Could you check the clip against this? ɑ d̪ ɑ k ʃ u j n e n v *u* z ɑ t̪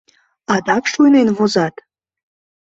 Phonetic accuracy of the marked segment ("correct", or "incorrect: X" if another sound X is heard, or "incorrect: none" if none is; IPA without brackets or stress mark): incorrect: o